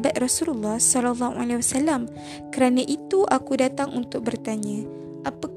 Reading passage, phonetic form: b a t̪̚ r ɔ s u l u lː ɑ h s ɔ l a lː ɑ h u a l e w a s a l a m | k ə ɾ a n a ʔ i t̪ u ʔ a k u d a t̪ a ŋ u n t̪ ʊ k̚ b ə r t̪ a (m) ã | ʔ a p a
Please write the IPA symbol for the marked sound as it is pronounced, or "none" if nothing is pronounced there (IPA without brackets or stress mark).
ɲ